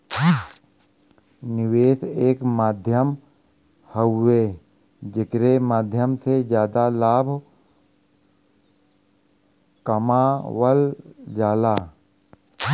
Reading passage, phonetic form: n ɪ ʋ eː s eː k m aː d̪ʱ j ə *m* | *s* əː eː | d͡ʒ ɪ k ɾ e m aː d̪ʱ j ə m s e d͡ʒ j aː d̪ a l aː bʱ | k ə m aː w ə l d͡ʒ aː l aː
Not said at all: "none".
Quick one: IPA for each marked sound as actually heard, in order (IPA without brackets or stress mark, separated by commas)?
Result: m, h